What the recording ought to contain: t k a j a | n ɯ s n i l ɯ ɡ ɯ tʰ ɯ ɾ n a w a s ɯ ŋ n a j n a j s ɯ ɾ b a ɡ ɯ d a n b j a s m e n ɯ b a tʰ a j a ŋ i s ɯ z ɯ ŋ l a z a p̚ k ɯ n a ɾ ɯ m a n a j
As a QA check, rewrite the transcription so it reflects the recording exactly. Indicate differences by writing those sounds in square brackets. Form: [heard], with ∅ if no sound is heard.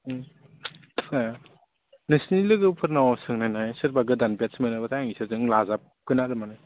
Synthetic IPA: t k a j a | n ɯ s n i l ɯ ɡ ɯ [pʰ] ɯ ɾ n a w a s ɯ ŋ n a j n a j s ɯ ɾ b a ɡ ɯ d a n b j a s m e n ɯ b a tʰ a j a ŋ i s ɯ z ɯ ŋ l a z a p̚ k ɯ n a ɾ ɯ m a n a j